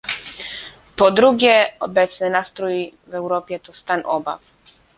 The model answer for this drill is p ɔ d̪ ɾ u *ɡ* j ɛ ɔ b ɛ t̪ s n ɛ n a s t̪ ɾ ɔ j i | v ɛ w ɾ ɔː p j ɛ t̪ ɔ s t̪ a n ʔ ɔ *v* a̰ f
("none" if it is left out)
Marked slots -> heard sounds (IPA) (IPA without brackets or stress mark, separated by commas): ɡ, b